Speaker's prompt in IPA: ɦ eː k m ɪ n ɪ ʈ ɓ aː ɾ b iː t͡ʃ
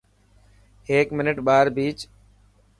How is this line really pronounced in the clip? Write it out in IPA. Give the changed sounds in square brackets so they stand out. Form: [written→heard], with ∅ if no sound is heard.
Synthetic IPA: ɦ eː k m ɪ n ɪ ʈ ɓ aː ɾ b iː t͡ʃ